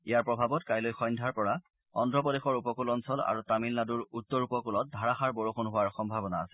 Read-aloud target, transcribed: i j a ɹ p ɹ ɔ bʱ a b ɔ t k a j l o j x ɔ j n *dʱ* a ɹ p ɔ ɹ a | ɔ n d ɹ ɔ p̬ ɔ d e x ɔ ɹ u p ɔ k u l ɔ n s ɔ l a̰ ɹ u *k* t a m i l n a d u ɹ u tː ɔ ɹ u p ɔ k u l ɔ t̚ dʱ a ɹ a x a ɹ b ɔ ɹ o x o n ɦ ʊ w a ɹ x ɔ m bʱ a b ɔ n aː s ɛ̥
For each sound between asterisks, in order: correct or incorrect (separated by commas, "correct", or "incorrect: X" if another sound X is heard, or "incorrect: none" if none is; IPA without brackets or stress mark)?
correct, incorrect: none